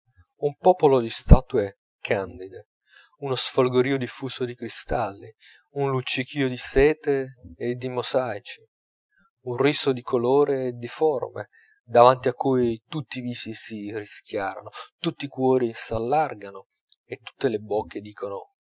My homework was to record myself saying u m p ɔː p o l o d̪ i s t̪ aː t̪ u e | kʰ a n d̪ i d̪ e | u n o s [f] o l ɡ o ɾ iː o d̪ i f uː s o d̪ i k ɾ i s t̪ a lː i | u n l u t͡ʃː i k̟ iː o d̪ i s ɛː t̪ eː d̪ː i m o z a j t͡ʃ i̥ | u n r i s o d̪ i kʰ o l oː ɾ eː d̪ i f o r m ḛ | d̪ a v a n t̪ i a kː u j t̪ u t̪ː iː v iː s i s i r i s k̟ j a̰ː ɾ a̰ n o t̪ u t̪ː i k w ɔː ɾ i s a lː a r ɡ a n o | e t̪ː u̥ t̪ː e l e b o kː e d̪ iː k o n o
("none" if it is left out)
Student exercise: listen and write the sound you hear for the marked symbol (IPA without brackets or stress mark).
f